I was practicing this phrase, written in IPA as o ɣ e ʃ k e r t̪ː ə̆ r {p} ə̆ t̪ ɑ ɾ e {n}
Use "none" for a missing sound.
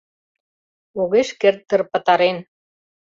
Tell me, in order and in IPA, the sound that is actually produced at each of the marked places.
p, n

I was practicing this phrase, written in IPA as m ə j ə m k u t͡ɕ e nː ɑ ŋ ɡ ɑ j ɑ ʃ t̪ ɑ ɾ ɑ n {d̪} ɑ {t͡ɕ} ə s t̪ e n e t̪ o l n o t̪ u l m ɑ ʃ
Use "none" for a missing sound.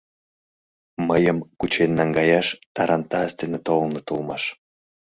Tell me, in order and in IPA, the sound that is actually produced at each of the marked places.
t̪, none

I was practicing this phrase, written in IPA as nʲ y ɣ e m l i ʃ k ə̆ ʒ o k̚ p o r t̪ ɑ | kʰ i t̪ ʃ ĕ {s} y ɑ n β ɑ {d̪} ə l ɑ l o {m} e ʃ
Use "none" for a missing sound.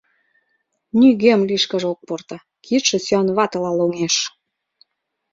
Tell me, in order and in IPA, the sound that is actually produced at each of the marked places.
s, t̪, ŋ

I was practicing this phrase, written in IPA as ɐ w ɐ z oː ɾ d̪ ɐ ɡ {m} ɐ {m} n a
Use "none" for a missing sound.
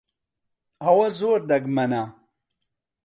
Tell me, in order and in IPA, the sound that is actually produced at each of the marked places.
m, none

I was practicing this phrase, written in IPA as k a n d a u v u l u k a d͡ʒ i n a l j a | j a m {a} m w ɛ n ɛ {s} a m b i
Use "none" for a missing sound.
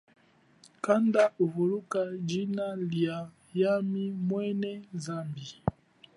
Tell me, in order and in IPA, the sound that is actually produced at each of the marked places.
i, z

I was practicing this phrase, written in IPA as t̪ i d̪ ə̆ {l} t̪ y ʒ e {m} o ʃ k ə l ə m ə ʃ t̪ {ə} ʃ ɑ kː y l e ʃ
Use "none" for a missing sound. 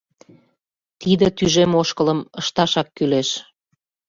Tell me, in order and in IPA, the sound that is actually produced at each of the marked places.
none, m, ɑ

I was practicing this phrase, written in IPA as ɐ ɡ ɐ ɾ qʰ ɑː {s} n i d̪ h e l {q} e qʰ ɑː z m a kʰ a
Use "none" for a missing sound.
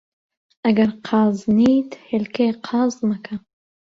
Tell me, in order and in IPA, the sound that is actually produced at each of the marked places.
z, k

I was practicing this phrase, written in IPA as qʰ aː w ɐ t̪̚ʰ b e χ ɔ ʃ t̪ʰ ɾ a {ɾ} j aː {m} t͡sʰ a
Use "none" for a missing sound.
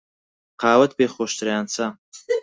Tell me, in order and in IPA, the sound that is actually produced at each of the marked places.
none, n

